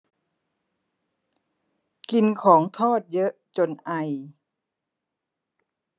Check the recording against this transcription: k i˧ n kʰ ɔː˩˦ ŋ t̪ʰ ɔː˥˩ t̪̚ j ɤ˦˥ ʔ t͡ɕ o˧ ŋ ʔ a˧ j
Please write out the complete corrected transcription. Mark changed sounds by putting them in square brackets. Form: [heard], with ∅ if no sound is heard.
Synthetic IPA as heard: k i˧ n kʰ ɔː˩˦ ŋ t̪ʰ ɔː˥˩ t̪̚ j ɤ˦˥ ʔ t͡ɕ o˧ [n] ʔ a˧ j